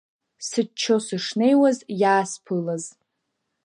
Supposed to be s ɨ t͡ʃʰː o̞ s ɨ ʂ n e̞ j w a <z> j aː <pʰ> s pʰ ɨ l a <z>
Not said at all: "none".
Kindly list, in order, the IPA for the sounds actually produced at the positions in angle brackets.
z, none, z

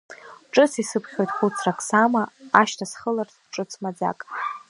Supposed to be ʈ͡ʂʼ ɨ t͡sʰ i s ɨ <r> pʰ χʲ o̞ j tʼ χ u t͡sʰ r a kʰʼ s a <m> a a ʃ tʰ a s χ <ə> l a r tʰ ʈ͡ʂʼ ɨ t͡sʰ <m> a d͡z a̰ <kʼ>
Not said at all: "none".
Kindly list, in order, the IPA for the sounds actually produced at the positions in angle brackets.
none, m, ə, m, kʼ

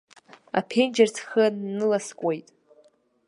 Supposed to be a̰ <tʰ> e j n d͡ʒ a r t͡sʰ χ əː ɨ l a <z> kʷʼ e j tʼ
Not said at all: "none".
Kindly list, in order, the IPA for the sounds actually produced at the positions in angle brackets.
pʰ, s

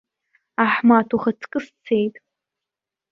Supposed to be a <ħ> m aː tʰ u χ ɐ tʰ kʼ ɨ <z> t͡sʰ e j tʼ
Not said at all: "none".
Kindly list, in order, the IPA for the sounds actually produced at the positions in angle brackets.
ħ, s

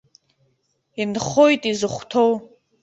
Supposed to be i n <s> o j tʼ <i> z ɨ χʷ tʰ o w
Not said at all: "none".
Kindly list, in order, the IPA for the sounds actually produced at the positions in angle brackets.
χ, i

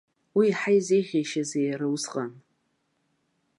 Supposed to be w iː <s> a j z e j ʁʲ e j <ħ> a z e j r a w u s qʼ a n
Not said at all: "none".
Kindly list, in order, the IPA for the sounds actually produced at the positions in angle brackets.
ħ, ʃ

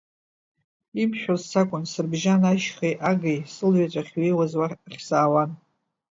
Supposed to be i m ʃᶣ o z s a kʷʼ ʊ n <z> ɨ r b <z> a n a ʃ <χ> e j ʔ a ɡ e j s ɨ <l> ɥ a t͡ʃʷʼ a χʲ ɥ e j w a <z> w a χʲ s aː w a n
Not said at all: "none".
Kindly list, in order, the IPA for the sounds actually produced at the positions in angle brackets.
s, ʒ, χ, l, z

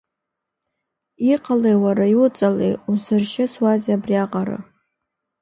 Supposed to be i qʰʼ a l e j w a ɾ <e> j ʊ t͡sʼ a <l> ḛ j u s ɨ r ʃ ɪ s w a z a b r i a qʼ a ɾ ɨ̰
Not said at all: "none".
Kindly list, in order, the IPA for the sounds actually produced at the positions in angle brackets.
a, l

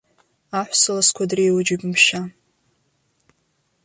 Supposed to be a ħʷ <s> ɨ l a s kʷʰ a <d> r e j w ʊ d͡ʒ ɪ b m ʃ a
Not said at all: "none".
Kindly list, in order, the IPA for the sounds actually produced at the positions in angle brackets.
s, d

